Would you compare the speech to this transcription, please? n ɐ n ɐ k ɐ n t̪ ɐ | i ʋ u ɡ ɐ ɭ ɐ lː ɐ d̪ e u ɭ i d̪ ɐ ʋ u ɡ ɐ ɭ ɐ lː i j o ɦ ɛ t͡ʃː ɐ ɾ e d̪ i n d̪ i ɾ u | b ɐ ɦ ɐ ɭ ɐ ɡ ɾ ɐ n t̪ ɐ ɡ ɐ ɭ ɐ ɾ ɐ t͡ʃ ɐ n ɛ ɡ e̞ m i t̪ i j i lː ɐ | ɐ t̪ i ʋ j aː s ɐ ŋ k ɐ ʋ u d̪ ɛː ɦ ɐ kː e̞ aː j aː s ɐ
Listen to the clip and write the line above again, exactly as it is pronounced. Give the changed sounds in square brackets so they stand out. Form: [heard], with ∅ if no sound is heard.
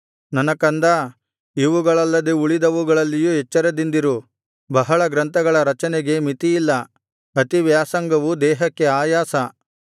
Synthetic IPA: n ɐ n ɐ k ɐ n [d̪] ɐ | i ʋ u ɡ ɐ ɭ ɐ lː ɐ d̪ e u ɭ i d̪ ɐ ʋ u ɡ ɐ ɭ ɐ lː i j [u] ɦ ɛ t͡ʃː ɐ ɾ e d̪ i n d̪ i ɾ u | b ɐ ɦ ɐ ɭ ɐ ɡ ɾ ɐ n t̪ ɐ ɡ ɐ ɭ ɐ ɾ ɐ t͡ʃ ɐ n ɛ ɡ e̞ m i t̪ i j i lː ɐ | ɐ t̪ i ʋ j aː s ɐ ŋ [ɡ] ɐ ʋ u d̪ ɛː ɦ ɐ kː e̞ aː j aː s ɐ